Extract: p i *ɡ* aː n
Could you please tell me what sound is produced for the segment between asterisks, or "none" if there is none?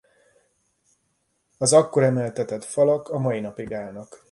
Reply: ɡ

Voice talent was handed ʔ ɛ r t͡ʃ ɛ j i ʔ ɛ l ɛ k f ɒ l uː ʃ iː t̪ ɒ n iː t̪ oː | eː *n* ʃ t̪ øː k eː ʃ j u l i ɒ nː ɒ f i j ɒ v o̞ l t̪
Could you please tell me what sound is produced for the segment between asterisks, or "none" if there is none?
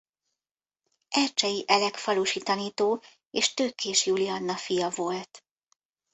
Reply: none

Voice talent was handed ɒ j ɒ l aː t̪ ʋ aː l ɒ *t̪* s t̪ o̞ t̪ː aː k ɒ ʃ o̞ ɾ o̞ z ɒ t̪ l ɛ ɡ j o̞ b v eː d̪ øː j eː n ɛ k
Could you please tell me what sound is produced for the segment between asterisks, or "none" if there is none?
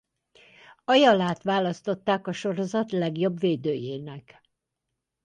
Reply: none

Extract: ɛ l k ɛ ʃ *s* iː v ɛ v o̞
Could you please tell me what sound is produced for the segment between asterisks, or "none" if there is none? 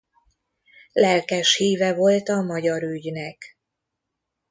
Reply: h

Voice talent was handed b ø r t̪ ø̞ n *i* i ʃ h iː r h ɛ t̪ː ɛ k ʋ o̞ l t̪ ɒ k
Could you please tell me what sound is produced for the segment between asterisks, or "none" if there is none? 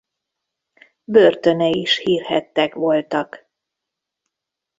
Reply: ɛ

